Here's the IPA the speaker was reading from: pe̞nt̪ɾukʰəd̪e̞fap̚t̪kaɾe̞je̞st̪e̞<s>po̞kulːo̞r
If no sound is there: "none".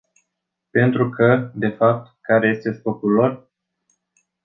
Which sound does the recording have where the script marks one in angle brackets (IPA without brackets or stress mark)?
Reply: s